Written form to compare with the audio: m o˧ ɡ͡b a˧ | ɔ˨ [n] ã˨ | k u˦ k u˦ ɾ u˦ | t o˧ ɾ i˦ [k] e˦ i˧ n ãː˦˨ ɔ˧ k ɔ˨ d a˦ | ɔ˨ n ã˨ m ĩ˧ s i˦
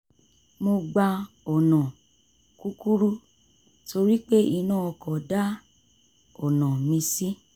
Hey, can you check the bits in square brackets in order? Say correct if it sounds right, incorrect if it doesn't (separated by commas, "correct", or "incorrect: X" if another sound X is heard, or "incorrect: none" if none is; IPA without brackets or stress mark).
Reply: correct, incorrect: k͡p